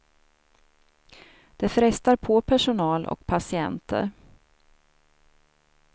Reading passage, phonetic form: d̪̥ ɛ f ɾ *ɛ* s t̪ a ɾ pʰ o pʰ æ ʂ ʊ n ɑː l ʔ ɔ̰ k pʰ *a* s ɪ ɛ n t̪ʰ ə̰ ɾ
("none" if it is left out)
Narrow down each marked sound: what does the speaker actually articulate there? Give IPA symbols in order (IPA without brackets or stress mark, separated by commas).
ɛ, a